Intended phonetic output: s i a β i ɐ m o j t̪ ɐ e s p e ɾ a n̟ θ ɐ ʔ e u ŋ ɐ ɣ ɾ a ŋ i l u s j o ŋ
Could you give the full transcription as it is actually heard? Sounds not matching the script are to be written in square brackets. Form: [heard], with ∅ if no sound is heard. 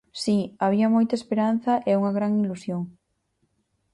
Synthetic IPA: s i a β i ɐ m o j t̪ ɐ e s p e ɾ a n̟ θ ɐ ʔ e u ŋ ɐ ɣ ɾ a ŋ i l u s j o ŋ